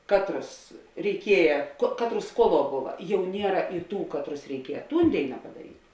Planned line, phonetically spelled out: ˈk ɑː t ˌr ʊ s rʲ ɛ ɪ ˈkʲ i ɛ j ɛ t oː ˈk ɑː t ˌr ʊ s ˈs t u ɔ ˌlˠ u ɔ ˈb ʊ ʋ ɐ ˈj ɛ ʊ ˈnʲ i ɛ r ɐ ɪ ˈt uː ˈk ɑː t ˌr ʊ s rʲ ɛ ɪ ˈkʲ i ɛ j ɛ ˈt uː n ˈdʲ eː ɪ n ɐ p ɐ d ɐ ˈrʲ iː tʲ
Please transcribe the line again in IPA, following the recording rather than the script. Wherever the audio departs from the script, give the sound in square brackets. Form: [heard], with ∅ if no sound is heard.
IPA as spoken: ˈk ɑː t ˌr ʊ s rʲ ɛ ɪ ˈkʲ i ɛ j ɛ [k] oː ˈk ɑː t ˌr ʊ s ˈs [k] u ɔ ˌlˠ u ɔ ˈb ʊ ʋ ɐ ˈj ɛ ʊ ˈnʲ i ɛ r ɐ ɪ ˈt uː ˈk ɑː t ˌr ʊ s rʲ ɛ ɪ ˈkʲ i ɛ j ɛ ˈt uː n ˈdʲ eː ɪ n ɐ p ɐ d ɐ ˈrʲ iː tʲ